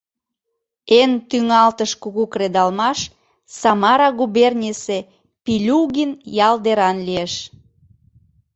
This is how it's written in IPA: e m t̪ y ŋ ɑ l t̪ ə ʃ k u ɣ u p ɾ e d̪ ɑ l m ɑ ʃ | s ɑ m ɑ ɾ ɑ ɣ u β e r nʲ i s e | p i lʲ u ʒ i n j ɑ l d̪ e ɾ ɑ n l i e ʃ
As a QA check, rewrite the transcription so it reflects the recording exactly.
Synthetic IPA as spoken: e n t̪ y ŋ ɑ l t̪ ə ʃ k u ɣ u k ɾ e d̪ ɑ l m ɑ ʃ | s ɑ m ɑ ɾ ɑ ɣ u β e r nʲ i s e | p i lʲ u ɣ i n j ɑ l d̪ e ɾ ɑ n l i e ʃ